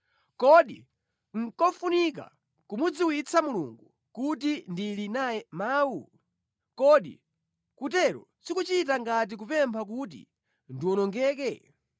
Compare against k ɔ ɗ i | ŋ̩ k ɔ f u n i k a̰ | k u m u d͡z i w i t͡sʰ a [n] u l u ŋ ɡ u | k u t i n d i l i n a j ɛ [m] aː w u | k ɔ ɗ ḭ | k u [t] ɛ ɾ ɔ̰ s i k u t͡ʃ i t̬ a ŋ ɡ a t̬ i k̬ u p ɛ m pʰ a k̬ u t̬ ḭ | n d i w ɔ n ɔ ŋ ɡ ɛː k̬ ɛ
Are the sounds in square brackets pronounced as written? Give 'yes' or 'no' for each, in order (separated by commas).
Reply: no, yes, yes